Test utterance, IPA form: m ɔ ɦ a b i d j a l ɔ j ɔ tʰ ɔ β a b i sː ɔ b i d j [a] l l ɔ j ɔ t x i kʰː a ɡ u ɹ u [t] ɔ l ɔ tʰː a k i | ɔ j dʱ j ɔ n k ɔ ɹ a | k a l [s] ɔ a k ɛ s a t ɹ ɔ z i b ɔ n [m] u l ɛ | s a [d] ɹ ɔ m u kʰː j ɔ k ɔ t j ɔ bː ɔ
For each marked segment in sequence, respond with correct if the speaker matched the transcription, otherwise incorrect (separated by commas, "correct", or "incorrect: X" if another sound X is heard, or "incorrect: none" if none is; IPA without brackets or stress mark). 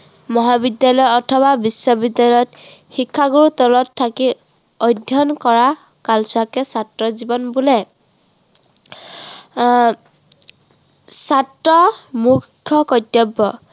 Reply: correct, correct, correct, incorrect: b, incorrect: t